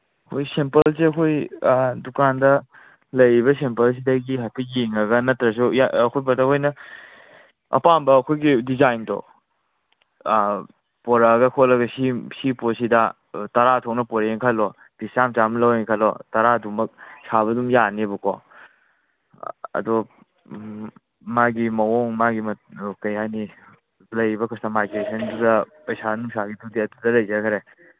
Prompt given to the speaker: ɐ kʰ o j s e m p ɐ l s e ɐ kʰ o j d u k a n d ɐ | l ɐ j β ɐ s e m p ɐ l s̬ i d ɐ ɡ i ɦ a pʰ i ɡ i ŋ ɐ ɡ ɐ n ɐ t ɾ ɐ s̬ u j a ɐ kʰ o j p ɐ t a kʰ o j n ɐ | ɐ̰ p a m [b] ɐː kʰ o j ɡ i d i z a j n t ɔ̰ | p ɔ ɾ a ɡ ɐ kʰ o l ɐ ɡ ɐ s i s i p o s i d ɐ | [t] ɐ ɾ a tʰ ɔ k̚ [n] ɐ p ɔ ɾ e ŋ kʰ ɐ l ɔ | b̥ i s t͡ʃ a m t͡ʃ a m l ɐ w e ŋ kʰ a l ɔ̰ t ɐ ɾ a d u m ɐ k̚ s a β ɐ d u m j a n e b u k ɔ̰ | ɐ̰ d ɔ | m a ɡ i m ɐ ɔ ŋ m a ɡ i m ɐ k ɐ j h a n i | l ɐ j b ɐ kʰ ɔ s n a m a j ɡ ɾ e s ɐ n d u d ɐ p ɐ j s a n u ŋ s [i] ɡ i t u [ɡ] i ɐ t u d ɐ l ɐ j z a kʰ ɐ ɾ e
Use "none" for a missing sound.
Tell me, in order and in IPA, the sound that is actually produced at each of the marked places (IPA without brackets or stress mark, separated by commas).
b, t, n, a, d